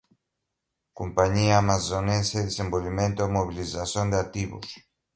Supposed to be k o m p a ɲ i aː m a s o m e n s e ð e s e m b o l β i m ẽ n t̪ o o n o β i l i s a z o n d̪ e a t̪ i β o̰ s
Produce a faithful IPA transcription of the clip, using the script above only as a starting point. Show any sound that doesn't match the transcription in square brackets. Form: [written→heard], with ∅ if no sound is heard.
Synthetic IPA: k o m p a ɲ i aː m a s o [m→n] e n s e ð e s e m b o l β i m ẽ n t̪ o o [n→m] o β i l i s a [z→s] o n d̪ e a t̪ i β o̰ s